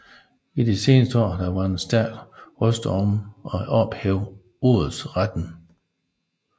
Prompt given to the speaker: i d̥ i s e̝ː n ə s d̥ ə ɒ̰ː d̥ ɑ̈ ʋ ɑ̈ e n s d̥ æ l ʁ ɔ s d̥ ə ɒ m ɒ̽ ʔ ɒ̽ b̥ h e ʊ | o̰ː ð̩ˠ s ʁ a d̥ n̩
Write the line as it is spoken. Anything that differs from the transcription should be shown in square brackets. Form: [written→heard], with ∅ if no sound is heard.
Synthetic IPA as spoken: i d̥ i s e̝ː n ə s d̥ ə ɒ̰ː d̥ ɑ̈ ʋ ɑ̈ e n s d̥ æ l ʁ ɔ s d̥ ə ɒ m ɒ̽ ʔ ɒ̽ b̥ h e ʊ | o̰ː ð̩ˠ s ʁ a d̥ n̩